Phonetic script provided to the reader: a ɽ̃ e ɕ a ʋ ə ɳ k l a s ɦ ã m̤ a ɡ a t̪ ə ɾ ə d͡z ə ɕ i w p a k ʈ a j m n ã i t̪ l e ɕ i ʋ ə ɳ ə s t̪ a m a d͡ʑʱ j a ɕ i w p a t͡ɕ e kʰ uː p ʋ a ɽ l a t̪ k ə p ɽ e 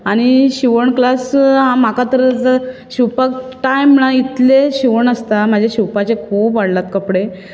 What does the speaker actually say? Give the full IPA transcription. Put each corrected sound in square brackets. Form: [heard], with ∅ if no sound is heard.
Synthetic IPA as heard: a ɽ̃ [i] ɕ [i] ʋ ə ɳ k l a s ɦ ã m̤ a [k] a t̪ ə ɾ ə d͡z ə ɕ i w p a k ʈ a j m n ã i t̪ l e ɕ i ʋ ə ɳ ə s t̪ a m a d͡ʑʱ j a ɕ i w p a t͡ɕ e kʰ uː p ʋ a ɽ l a t̪ k ə p ɽ e